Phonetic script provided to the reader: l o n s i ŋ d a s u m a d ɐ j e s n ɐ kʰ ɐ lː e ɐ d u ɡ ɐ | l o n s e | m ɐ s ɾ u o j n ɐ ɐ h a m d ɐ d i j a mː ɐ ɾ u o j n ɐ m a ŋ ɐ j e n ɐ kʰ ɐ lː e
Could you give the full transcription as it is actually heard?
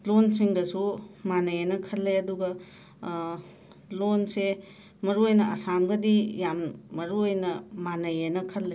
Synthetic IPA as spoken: l o n s i ŋ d ɐ s u m a n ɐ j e n ɐ kʰ ɐ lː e ɐ d u ɡ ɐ | l o n s e | m ɐ ɾ u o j n ɐ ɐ s a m ɡ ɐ d i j a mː ɐ ɾ u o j n ɐ m a n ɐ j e n ɐ kʰ ɐ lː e